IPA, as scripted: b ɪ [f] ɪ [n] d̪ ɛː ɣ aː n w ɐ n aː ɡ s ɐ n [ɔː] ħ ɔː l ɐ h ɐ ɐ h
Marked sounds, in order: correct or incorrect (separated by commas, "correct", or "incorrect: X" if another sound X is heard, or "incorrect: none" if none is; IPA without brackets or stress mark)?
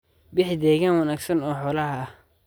incorrect: ħ, incorrect: none, correct